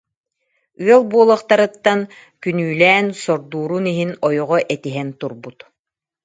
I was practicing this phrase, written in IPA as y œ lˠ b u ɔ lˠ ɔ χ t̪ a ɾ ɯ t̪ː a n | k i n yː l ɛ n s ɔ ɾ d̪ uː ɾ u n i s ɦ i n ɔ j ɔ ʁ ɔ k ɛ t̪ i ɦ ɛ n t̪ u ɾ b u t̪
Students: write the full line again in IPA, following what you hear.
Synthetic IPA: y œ lˠ b u ɔ lˠ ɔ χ t̪ a ɾ ɯ t̪ː a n | k y n yː l ɛː n s ɔ ɾ d̪ uː ɾ u n i ɦ i n ɔ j ɔ ʁ ɔ ʔ ɛ t̪ i ɦ ɛ n t̪ u ɾ b u t̪

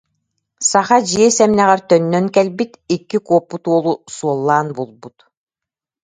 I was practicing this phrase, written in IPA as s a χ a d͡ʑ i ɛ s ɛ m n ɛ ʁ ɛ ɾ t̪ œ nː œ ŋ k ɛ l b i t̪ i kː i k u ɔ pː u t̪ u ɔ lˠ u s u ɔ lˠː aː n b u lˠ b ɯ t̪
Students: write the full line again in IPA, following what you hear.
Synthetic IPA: s a χ a d͡ʑ i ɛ s ɛ m n ɛ ʁ ɛ ɾ t̪ œ nː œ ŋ k ɛ l b i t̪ i kː i k u ɔ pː u t̪ u ɔ lˠ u s u ɔ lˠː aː n b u lˠ b u t̪

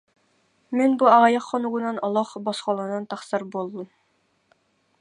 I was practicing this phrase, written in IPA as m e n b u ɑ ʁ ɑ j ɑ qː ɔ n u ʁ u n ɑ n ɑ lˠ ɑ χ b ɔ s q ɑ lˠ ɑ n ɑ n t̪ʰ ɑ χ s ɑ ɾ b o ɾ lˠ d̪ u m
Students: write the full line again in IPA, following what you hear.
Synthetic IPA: m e n b u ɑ ʁ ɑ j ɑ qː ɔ n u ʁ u n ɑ n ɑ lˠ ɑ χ b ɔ s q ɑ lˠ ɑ n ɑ n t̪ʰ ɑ χ s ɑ ɾ b o lˠ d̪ u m

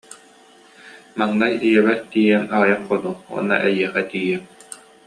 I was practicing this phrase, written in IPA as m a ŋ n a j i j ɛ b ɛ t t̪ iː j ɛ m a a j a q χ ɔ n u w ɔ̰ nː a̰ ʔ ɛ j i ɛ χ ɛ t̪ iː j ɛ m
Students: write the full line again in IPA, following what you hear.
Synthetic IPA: m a ŋ n a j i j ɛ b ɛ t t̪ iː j ɛ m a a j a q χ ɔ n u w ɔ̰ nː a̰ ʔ ɛ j i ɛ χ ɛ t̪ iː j ɛ m

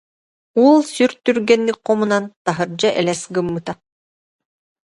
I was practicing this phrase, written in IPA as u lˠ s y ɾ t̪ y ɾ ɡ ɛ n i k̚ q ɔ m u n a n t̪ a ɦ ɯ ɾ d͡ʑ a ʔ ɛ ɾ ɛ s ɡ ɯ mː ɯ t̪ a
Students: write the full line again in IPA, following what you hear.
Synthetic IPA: u lˠ s y ɾ t̪ y ɾ ɡ ɛ nː i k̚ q ɔ m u n a n t̪ a ɦ ɯ ɾ d͡ʑ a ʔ ɛ l ɛ s ɡ ɯ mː ɯ t̪ a

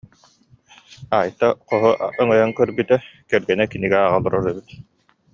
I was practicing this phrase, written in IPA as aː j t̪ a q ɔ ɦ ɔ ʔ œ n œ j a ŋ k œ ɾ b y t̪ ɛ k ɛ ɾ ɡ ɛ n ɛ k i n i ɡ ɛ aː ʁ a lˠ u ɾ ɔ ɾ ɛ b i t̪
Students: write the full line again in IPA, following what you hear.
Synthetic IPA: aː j t̪ a q ɔ ɦ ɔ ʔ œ ŋ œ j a ŋ k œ ɾ b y t̪ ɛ k ɛ ɾ ɡ ɛ n ɛ k i n i ɡ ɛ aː ʁ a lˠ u ɾ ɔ ɾ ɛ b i t̪

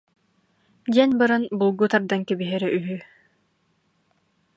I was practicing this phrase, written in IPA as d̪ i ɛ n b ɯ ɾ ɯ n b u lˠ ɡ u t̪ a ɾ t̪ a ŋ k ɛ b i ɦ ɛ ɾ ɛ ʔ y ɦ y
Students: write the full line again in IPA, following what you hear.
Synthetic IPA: d̪ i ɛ n b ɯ ɾ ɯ n b u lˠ ɡ u t̪ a ɾ d̪ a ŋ k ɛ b i ɦ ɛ ɾ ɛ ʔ y ɦ y

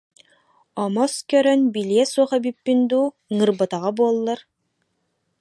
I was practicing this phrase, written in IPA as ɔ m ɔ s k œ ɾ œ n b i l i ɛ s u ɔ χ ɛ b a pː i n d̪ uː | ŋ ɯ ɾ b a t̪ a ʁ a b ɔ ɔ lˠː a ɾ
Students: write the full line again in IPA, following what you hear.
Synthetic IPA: ɔ m ɔ s k œ ɾ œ n b i l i ɛ s u ɔ χ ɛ b i pː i n d̪ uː | ŋ ɯ ɾ b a t̪ a ʁ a b u ɔ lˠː a ɾ

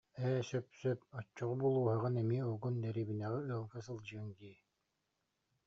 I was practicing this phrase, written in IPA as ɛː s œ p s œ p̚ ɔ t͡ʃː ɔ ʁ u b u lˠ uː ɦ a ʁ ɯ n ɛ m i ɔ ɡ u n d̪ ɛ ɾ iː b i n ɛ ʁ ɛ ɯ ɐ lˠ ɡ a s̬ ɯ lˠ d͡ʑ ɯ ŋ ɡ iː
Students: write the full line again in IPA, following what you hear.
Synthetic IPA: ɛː s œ p s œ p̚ ɔ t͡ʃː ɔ ʁ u b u lˠ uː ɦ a ʁ ɯ n ɛ m i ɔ ɡ u n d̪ ɛ ɾ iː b i n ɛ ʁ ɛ ɯ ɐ lˠ ɡ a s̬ ɯ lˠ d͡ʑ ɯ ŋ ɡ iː

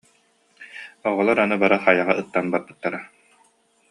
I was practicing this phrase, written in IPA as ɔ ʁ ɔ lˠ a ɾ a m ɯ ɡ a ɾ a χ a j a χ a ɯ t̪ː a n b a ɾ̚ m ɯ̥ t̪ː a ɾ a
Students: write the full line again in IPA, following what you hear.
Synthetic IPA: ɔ ʁ ɔ lˠ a ɾ a n ɯ b a ɾ a χ a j a ʁ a ɯ t̪ː a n b a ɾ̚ b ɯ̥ t̪ː a ɾ a

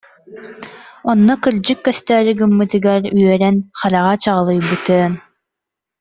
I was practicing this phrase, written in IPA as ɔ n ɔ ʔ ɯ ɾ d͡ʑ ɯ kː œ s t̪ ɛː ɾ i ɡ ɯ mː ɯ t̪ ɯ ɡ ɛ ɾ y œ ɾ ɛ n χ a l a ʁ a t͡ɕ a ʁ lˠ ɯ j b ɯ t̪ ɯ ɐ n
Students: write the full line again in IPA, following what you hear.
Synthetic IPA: ɔ nː ɔ k ɯ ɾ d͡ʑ ɯ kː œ s t̪ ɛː ɾ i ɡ ɯ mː ɯ t̪ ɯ ɡ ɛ ɾ y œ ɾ ɛ n χ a l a ʁ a t͡ɕ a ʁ lˠ ɯ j b ɯ t̪ ɯ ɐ n

